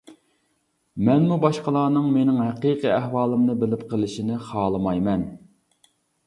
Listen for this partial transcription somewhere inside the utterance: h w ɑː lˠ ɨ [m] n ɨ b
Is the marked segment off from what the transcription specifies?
no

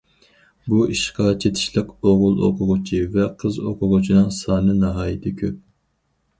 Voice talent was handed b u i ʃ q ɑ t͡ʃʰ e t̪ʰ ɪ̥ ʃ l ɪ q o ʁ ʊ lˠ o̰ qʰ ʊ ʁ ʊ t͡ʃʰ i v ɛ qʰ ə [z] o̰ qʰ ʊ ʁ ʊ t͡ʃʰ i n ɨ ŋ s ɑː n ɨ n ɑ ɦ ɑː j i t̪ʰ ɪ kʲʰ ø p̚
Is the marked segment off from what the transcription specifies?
no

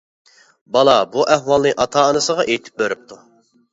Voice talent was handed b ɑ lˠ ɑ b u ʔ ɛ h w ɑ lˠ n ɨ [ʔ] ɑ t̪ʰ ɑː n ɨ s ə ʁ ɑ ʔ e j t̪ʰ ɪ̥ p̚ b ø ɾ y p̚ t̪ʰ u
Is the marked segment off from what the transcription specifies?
no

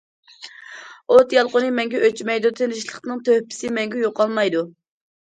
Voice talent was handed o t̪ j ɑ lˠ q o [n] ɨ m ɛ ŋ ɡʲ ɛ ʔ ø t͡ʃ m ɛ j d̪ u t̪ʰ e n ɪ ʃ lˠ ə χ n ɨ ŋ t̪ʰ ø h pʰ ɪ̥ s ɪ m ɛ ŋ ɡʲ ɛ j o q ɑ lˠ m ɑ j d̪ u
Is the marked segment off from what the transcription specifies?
no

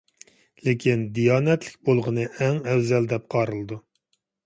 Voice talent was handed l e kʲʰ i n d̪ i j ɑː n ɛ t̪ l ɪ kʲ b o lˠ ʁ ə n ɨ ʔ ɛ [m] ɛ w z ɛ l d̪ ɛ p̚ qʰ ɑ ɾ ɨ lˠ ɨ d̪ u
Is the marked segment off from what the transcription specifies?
yes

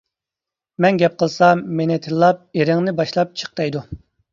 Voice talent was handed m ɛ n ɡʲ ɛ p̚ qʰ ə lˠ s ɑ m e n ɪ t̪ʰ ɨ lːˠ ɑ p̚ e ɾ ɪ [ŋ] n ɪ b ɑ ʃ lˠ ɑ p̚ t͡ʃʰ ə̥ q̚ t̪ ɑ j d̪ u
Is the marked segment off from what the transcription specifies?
no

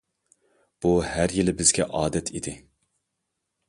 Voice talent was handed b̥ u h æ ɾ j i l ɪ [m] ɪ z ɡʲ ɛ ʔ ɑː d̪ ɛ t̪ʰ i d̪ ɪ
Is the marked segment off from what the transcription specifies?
yes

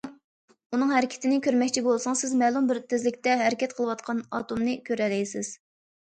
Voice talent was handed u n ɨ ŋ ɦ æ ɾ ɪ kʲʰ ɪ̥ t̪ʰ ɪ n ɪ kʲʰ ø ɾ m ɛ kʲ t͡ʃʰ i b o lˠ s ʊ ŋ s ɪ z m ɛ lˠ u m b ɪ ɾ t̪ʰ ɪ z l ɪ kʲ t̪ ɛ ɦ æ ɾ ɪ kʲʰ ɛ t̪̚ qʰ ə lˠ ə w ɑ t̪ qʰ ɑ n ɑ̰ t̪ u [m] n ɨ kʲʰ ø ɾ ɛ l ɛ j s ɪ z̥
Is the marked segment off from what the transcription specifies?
no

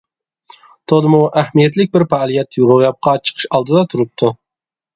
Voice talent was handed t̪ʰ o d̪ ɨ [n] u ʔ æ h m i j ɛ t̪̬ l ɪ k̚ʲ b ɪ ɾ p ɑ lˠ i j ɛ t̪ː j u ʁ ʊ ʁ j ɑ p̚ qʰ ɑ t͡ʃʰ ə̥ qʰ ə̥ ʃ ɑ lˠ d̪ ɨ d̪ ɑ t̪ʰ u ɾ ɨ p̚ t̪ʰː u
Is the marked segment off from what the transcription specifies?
yes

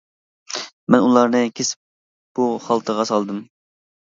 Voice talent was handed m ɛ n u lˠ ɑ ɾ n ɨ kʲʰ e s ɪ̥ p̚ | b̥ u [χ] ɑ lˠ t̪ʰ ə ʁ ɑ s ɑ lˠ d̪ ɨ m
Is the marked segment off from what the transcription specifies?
no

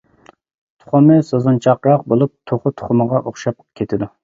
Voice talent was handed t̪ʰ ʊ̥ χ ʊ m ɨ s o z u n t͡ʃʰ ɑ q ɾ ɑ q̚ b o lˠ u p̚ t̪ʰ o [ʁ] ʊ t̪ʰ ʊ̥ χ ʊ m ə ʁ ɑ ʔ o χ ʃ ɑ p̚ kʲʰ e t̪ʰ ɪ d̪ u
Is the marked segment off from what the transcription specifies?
yes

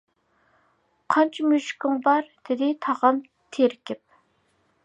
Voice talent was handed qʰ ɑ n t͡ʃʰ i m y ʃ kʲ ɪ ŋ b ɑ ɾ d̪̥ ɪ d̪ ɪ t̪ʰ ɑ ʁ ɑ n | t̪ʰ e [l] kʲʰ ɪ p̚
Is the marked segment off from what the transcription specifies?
yes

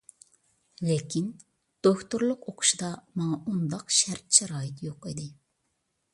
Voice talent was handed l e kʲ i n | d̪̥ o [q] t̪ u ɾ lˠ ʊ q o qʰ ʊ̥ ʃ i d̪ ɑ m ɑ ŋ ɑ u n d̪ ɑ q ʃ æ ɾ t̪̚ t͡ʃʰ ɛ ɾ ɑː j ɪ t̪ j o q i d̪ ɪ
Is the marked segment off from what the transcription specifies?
yes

